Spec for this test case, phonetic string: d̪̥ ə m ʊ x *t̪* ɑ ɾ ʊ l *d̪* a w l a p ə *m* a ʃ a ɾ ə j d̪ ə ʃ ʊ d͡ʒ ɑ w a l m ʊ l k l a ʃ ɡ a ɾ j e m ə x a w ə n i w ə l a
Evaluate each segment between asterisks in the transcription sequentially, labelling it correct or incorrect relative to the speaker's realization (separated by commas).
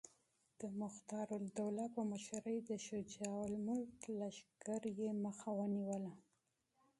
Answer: correct, correct, correct